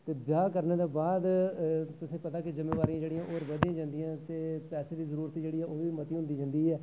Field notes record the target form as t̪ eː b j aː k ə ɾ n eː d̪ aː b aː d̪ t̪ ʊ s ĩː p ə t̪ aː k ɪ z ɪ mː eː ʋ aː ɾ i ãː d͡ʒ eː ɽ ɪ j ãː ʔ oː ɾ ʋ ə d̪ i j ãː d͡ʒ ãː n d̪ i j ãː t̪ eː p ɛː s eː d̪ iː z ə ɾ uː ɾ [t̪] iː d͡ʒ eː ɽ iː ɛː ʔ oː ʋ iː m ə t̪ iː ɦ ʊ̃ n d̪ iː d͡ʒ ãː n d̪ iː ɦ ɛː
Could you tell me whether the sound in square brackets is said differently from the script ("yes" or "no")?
no